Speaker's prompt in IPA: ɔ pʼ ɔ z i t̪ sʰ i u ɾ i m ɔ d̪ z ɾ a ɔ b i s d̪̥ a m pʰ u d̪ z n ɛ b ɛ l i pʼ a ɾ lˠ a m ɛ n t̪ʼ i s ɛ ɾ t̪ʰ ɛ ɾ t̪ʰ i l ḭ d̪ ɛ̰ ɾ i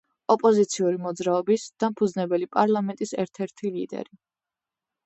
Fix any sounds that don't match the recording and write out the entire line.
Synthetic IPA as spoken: ɔ pʼ ɔ z i t̪ sʰ i u ɾ i m ɔ d̪ z ɾ a ɔ b i s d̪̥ a m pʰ u d̪ z n ɛ b ɛ l i pʼ a ɾ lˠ a m ɛ n t̪ʼ i s ɛ ɾ t̪ʰ ɛ ɾ t̪ʰ i l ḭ d̪ ɛ̰ ɾ i